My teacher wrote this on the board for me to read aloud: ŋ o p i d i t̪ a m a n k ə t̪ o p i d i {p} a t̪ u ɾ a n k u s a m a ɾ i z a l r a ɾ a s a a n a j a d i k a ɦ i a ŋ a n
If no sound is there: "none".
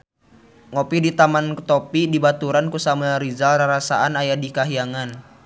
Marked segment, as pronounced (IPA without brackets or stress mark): b